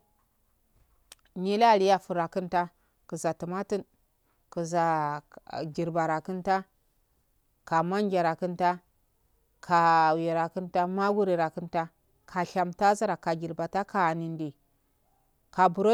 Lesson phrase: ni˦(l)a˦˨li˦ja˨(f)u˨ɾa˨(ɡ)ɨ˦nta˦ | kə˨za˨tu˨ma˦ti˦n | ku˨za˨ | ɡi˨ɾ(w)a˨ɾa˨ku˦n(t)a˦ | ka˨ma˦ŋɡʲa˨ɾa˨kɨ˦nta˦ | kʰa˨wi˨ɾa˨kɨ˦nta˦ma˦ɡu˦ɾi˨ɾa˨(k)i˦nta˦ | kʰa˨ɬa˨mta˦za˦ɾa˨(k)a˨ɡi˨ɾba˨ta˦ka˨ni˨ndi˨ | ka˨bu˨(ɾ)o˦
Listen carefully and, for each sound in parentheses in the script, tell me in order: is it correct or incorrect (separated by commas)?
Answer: correct, correct, incorrect, incorrect, correct, correct, correct, correct